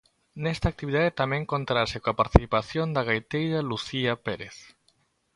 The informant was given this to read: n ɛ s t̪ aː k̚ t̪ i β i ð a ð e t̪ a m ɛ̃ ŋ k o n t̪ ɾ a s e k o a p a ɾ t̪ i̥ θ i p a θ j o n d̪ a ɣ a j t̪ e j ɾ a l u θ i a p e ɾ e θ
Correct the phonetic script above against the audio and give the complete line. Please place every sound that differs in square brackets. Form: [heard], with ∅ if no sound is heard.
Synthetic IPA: n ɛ s t̪ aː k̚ t̪ i β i ð a ð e t̪ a m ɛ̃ ŋ k o n t̪ ɾ a s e k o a p a ɾ t̪ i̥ θ i p a θ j o n d̪ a ɣ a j t̪ e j ɾ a l u θ i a p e ɾ e θ